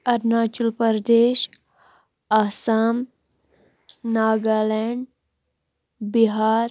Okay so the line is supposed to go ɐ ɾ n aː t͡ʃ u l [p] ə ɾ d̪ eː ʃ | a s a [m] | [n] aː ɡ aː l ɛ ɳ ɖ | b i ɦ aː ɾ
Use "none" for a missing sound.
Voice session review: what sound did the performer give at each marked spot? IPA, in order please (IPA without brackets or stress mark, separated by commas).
p, m, n